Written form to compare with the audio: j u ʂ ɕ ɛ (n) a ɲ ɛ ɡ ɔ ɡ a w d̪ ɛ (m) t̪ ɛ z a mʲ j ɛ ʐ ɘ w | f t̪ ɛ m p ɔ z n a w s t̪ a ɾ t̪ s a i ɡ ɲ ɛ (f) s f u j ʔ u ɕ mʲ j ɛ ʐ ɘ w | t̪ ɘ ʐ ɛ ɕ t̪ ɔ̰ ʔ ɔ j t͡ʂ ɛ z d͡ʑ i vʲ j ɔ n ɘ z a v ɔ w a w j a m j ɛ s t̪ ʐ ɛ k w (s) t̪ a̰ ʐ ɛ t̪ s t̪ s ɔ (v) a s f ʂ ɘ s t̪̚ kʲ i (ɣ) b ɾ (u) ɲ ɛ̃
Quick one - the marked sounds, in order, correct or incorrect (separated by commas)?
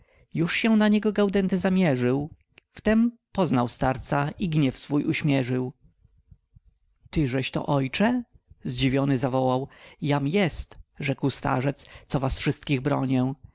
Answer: correct, incorrect, correct, correct, correct, correct, incorrect